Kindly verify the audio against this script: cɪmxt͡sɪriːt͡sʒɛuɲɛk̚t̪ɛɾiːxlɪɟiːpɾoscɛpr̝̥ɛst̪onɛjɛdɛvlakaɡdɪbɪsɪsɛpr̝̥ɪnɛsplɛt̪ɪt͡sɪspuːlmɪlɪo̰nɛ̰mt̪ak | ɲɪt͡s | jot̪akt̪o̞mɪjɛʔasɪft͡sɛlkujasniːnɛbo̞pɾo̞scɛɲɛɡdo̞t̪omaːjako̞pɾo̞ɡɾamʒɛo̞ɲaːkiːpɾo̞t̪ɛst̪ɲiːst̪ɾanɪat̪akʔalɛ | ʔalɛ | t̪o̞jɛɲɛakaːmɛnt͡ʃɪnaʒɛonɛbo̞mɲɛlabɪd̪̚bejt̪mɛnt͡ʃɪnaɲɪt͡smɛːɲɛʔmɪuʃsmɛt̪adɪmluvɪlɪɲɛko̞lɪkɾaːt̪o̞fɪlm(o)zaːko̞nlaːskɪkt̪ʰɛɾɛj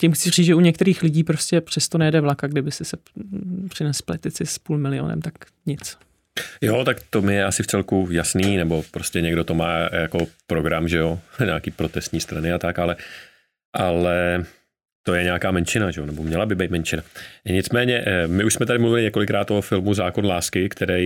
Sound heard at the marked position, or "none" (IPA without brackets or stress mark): u